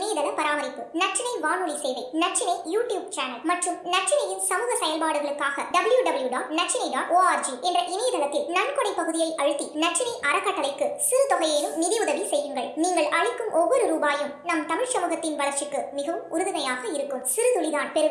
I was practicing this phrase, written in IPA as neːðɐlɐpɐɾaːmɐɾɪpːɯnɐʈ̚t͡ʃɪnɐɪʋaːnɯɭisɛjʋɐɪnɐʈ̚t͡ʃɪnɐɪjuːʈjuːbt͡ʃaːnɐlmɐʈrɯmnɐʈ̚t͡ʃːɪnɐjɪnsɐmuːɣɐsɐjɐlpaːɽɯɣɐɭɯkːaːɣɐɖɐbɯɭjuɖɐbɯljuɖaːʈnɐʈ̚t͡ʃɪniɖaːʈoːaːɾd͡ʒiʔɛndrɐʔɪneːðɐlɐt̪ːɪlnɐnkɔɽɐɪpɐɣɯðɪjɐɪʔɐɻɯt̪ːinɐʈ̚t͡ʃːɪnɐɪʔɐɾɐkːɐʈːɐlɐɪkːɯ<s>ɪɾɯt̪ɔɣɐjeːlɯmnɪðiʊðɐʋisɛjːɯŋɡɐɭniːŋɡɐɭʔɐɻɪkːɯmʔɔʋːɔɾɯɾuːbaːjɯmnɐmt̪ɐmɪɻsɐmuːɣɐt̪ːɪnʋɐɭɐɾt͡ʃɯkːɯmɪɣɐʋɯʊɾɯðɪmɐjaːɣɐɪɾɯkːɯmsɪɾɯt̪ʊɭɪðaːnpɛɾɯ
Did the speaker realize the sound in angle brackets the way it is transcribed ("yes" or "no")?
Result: yes